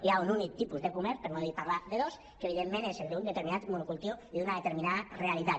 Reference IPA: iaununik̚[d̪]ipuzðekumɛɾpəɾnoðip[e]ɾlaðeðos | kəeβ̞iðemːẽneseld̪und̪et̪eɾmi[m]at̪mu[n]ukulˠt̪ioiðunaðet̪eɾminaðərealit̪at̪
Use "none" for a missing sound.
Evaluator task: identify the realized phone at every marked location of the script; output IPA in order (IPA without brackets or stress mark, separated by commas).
t̪, a, n, n